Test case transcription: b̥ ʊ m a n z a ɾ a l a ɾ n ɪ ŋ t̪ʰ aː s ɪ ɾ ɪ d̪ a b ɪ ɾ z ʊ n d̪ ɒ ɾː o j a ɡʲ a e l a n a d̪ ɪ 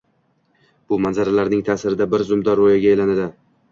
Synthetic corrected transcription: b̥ ʊ m a n z a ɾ a l a ɾ n ɪ ŋ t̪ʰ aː s ɪ ɾ ɪ d̪ a b ɪ ɾ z ʊ m d̪ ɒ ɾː o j a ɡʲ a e l a n a d̪ ɪ